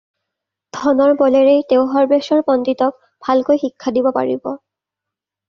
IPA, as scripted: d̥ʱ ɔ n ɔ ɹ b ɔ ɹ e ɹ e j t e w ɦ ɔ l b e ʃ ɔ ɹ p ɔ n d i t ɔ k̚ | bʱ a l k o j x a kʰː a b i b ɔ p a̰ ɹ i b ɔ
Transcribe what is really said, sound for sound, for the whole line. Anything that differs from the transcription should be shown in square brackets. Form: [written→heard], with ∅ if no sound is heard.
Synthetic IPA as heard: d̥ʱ ɔ n ɔ ɹ b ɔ [ɹ→l] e ɹ e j t e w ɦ ɔ [l→ɹ] b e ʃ ɔ ɹ p ɔ n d i t ɔ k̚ | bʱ a l k o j x [a→i] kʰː a [b→d] i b ɔ p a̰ ɹ i b ɔ